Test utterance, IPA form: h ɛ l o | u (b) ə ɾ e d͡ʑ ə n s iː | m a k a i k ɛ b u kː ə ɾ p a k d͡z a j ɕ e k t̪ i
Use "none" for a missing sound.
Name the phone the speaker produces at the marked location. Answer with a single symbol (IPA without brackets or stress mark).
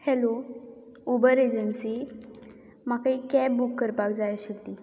b